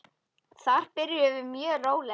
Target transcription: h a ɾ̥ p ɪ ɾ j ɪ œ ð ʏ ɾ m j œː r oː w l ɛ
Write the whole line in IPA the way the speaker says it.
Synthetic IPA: θ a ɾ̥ p ɪ ɾ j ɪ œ v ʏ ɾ m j œː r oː w l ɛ